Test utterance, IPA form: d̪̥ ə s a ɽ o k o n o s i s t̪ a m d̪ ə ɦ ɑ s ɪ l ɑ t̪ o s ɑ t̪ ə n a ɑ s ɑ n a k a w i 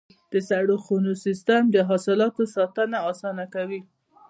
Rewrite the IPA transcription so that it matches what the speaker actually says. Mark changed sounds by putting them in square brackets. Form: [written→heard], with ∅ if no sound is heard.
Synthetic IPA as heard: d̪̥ ə s a ɽ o [k→x] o n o s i s t̪ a m d̪ ə ɦ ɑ s ɪ l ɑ t̪ o s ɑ t̪ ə n a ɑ s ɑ n a k a w i